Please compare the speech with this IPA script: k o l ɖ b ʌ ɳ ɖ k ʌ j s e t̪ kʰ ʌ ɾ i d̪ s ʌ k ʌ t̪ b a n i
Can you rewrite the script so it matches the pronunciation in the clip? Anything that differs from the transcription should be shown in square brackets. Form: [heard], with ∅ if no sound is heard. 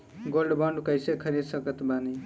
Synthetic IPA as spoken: [ɡ] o l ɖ b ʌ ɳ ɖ k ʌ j s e [∅] kʰ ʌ ɾ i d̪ s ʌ k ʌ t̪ b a n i